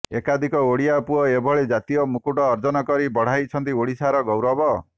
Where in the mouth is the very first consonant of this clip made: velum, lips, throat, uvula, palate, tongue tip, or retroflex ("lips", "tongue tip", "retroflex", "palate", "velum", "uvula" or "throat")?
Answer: velum